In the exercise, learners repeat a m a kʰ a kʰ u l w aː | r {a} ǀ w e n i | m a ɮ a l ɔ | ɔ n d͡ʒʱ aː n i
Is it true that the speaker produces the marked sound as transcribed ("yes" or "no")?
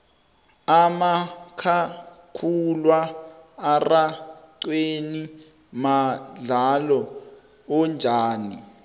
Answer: yes